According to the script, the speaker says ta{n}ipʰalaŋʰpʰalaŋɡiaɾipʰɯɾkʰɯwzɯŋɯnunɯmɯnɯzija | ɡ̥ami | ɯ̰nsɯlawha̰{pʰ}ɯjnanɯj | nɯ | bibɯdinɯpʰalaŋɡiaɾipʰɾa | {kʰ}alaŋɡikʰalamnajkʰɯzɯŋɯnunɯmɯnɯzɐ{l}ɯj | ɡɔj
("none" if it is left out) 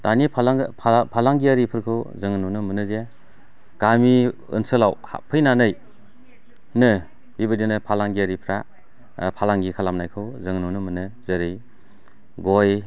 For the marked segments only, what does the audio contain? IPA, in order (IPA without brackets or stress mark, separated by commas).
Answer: n, pʰ, pʰ, ɾ